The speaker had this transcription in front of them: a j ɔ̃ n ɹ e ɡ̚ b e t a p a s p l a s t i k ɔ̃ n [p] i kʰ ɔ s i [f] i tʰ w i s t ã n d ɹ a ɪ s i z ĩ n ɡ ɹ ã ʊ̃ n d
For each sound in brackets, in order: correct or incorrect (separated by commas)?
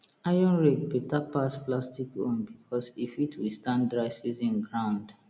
incorrect, correct